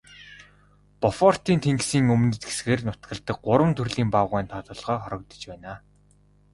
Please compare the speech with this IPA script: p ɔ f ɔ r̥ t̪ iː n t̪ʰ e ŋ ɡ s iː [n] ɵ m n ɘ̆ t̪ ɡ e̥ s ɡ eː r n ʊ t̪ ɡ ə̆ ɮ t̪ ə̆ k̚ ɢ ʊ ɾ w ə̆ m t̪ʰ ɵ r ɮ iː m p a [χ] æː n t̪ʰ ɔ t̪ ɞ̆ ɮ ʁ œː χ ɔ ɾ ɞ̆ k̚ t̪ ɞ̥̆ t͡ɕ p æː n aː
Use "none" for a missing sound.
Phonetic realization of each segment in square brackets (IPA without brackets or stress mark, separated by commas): ŋ, ʁ